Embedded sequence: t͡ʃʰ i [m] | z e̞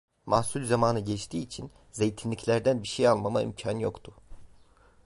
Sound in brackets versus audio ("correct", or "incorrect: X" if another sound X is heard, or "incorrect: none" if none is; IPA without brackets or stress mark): incorrect: n